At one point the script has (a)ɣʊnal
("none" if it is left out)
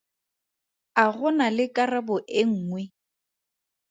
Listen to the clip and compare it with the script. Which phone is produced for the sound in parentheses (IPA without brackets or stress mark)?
a